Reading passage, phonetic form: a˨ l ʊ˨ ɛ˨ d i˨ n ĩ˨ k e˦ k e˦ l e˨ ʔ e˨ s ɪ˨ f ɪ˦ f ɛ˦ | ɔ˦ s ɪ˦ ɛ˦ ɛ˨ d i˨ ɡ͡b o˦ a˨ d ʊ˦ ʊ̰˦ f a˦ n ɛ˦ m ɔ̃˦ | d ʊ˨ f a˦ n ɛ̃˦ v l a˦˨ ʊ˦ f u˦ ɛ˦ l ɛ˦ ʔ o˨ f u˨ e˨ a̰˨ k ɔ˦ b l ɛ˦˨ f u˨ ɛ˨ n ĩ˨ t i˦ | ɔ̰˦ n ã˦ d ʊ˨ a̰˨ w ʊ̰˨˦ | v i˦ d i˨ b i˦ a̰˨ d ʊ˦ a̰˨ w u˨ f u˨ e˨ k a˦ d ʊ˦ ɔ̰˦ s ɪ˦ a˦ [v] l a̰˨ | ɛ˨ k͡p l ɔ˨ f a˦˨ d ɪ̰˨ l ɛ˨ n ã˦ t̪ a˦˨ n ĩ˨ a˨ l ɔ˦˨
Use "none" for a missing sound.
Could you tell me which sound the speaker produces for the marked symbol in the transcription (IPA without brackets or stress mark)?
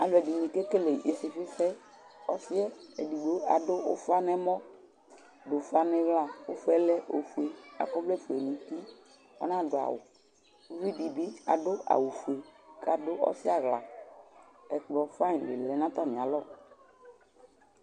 ɣ